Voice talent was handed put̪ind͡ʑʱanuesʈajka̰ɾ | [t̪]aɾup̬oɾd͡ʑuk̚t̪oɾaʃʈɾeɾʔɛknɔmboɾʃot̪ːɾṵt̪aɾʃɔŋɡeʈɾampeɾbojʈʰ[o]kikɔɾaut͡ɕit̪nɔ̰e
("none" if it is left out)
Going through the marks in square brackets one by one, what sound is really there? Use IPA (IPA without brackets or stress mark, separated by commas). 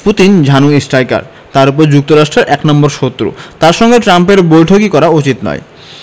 t̪, o